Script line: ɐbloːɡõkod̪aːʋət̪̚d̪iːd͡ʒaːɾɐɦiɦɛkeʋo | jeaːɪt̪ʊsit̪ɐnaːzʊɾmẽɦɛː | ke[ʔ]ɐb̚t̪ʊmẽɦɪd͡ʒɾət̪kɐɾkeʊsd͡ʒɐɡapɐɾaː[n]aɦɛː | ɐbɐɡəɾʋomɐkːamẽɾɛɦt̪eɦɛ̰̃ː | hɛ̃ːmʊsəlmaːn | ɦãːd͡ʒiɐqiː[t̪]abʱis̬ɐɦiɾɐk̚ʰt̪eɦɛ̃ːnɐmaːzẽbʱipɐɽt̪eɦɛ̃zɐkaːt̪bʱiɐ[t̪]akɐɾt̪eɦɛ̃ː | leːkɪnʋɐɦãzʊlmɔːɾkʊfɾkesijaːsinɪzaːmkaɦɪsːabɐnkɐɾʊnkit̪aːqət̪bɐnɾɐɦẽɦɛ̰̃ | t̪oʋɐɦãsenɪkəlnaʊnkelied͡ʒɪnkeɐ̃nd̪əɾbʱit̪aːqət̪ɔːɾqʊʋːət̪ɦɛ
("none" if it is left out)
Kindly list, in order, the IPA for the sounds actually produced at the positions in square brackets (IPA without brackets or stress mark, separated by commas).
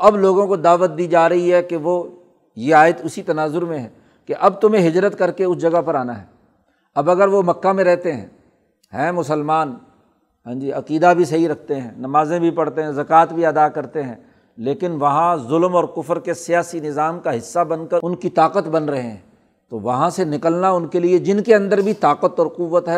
ʔ, n, d̪, d̪